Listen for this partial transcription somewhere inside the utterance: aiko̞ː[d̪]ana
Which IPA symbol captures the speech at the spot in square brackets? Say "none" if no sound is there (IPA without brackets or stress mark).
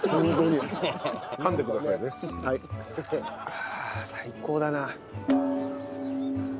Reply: d̪